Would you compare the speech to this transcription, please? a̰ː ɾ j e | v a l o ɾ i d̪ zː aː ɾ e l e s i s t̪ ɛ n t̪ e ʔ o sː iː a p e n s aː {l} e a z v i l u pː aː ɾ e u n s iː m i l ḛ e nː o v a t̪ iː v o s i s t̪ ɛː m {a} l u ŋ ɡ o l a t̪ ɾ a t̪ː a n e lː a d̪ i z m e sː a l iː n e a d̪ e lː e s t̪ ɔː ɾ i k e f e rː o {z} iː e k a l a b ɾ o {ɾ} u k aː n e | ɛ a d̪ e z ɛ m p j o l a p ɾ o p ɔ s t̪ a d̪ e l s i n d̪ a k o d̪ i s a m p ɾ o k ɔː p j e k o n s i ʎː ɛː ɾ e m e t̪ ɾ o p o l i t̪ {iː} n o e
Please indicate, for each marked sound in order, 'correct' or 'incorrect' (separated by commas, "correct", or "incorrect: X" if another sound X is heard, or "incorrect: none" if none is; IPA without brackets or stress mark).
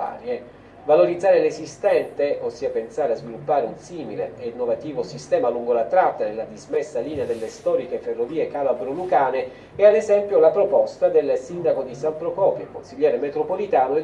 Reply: incorrect: ɾ, correct, incorrect: v, incorrect: l, incorrect: aː